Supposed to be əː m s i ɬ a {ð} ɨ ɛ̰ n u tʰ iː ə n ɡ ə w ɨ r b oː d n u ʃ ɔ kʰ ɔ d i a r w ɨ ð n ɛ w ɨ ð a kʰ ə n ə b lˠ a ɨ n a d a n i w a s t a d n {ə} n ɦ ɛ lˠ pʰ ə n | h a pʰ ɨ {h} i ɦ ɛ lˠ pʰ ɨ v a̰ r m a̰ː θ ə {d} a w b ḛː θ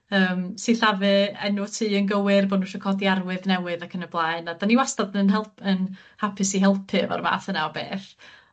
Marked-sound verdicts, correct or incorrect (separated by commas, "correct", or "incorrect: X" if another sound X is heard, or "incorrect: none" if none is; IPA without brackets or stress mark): incorrect: v, correct, incorrect: s, incorrect: n